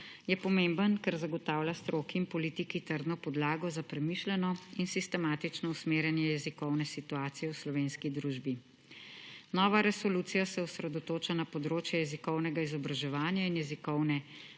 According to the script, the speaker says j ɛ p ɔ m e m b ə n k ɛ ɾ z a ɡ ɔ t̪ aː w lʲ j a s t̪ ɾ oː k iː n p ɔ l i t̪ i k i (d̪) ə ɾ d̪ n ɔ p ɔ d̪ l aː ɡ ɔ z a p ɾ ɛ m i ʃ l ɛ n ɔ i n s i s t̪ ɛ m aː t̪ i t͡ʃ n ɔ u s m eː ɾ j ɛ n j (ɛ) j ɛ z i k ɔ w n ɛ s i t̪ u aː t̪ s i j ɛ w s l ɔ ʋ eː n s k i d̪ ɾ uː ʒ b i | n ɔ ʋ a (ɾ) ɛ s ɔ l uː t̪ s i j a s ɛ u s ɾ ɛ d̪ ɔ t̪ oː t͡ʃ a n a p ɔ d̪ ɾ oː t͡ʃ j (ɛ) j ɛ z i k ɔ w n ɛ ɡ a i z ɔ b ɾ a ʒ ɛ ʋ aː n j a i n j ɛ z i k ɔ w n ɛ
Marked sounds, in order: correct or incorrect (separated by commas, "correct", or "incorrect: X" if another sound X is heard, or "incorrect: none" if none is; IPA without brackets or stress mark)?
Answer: incorrect: t̪, correct, correct, correct